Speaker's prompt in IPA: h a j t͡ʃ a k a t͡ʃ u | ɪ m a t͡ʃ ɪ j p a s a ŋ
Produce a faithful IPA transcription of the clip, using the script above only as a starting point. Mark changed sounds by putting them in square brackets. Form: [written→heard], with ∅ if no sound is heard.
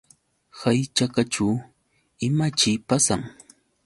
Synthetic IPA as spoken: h a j t͡ʃ a k a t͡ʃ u | ɪ m a t͡ʃ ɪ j p a s a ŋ